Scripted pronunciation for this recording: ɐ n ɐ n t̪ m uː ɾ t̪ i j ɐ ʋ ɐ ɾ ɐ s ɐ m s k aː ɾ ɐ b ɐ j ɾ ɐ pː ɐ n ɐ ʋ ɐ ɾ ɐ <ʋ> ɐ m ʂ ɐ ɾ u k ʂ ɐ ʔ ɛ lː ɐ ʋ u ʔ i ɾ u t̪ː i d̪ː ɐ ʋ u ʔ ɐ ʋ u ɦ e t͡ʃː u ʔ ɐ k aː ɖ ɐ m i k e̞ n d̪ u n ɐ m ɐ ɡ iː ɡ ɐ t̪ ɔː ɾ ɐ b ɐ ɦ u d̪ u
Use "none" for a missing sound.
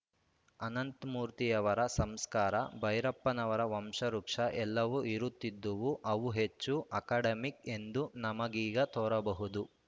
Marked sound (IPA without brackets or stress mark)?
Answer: ʋ